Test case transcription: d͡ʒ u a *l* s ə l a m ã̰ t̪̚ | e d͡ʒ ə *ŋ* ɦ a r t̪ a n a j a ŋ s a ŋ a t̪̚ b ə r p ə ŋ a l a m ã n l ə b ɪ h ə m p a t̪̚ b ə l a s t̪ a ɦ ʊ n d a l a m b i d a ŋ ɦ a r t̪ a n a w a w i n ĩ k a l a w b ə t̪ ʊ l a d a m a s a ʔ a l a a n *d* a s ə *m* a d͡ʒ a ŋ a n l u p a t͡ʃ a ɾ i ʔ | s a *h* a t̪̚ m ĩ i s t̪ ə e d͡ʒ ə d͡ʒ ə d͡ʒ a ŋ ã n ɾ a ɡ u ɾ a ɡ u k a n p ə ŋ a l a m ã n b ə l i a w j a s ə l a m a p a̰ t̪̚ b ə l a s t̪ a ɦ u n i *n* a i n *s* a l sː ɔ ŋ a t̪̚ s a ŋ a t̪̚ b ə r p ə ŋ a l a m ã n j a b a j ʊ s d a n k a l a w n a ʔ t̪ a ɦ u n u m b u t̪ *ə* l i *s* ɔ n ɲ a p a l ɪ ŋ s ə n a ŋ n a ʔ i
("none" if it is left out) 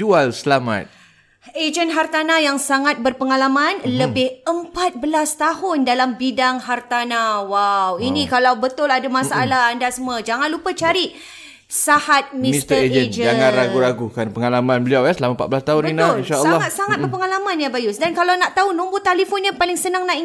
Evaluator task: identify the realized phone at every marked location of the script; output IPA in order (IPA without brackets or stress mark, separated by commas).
l, n, d, m, h, n, ʃ, a, f